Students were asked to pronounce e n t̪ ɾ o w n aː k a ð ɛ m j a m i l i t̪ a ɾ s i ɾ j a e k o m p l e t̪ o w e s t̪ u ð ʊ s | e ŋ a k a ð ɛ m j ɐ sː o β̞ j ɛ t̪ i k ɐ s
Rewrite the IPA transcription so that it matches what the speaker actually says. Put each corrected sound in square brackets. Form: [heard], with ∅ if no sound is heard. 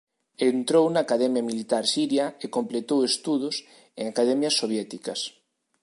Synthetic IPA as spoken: e n t̪ ɾ o w n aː k a ð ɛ m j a m i l i t̪ a ɾ s i ɾ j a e k o m p l e t̪ o w e s t̪ u ð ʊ s | e ŋ a k a ð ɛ m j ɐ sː o β̞ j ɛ t̪ i k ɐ s